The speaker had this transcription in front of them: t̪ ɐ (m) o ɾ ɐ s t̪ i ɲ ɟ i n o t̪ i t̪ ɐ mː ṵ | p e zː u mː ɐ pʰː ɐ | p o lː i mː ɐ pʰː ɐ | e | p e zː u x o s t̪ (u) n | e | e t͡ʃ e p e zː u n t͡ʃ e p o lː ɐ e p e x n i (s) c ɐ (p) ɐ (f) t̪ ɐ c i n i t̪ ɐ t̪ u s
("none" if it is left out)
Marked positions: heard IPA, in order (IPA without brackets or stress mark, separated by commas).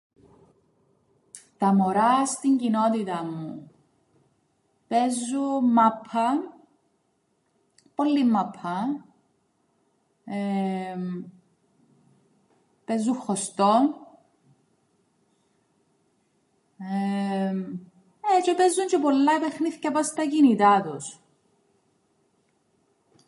m, o, θ, p, s